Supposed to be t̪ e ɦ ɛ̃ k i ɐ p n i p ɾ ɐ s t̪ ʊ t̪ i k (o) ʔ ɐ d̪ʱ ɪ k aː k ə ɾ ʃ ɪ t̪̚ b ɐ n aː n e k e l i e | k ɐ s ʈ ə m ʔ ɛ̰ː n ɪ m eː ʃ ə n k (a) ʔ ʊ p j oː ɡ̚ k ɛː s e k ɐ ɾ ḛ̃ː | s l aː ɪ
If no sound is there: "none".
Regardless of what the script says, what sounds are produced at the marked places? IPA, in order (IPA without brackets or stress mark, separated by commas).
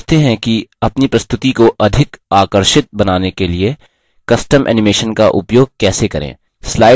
o, a